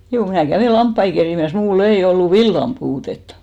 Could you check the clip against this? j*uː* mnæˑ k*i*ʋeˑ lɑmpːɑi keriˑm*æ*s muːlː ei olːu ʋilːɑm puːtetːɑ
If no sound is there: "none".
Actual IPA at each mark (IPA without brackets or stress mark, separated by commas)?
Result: uː, æ, æ